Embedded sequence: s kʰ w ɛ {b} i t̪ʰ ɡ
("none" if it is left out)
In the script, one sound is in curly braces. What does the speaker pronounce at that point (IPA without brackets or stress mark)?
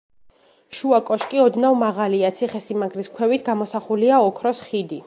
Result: v